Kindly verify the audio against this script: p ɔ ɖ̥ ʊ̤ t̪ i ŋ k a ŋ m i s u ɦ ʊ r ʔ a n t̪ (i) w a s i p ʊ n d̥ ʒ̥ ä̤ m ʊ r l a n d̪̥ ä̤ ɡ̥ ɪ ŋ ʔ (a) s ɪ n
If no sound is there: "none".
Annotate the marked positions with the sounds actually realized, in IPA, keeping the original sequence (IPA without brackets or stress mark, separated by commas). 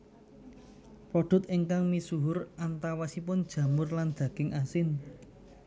a, a